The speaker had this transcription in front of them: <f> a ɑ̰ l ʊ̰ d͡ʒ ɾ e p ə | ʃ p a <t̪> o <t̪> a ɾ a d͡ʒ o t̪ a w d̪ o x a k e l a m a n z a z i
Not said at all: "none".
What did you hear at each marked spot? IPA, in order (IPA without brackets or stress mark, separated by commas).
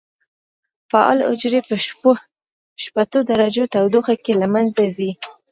f, t̪, d̪